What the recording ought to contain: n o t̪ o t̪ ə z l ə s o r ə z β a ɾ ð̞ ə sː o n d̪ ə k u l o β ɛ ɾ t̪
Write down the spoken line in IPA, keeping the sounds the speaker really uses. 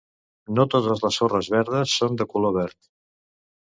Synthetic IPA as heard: n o t̪ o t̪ ə z l ə s o r ə z β ɛ ɾ ð̞ ə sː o n d̪ ə k u l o β ɛ ɾ t̪

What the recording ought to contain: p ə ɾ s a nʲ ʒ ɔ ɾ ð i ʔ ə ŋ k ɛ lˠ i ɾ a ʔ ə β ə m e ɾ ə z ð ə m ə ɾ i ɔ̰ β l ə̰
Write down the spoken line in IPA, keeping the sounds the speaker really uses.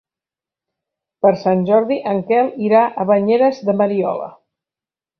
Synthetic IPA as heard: p ə ɾ s a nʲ ʒ ɔ ɾ ð i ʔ ə ŋ k ɛ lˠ i ɾ a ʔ ə β ə ɲ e ɾ ə z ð ə m ə ɾ i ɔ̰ l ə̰

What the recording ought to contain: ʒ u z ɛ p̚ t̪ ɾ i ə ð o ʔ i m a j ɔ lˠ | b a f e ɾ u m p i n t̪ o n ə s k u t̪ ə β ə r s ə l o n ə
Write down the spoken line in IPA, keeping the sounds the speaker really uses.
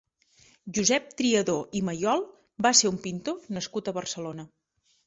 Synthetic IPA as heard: ʒ u z ɛ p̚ t̪ ɾ i ə ð o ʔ i m ə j ɔ lˠ | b a s e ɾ u m p i n t̪ o n ə s k u t̪ ə β ə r s ə l o n ə

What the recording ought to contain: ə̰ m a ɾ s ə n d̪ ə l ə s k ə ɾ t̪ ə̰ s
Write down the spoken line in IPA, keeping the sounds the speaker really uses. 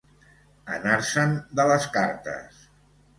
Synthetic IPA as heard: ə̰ n a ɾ s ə n d̪ ə l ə s k a ɾ t̪ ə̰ s

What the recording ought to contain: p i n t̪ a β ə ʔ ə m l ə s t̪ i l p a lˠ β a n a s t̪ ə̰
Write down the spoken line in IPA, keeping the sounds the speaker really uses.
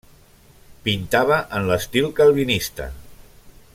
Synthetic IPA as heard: p i n t̪ a β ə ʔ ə n l ə s t̪ i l k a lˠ β i n i s t̪ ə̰

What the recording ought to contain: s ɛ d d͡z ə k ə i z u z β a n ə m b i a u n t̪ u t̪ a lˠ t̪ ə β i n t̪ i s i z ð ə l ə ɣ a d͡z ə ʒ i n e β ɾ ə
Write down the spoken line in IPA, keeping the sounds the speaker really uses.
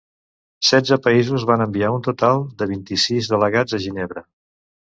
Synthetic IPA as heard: s ɛ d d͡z ə p ə i z u z β a n ə m b i a u n t̪ u t̪ a lˠ d̪ ə β i n t̪ i s i z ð ə l ə ɣ a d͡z ə ʒ i n e β ɾ ə

